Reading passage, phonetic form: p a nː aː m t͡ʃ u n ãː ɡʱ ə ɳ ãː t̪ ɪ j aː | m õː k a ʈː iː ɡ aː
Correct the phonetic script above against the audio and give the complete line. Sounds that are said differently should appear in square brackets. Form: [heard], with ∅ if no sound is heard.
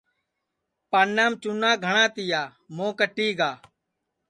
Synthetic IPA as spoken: p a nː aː m t͡ʃ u n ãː ɡʱ ə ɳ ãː t̪ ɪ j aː | m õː k [ə] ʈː iː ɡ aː